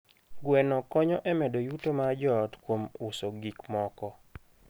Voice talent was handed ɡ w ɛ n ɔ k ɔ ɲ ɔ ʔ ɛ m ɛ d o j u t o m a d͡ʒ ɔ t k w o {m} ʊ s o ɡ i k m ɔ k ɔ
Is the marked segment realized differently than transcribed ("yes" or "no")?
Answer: no